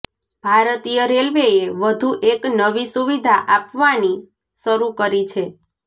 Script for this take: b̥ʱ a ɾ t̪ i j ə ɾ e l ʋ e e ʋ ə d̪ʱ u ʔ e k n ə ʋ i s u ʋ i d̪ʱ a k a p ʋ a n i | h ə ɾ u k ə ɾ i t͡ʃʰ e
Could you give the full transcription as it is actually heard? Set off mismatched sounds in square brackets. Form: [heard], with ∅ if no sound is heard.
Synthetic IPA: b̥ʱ a ɾ t̪ i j ə ɾ e l ʋ e e ʋ ə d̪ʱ u ʔ e k n ə ʋ i s u ʋ i d̪ʱ a [ʔ] a p ʋ a n i | [ʃ] ə ɾ u k ə ɾ i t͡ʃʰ e